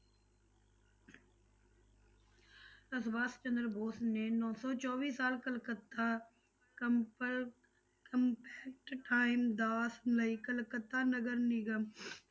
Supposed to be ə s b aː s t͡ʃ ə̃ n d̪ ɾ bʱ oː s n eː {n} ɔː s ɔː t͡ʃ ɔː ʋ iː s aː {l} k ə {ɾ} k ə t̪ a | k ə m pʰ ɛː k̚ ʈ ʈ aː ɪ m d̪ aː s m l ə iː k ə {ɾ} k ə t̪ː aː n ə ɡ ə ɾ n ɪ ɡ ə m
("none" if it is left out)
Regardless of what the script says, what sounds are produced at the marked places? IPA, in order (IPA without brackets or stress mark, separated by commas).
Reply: n, l, l, l